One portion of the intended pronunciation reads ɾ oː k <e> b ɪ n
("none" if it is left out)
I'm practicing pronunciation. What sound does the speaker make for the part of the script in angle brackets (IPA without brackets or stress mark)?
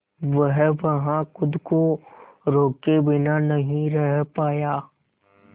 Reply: e